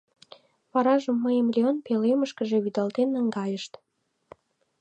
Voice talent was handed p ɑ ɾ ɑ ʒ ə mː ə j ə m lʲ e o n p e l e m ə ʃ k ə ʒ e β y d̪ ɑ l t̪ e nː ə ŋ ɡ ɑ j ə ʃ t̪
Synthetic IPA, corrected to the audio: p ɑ ɾ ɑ ʒ ə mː ə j ə m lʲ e o n p e l e m ə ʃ k ə ʒ e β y d̪ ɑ l t̪ e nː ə ŋ ɡ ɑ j ə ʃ t̪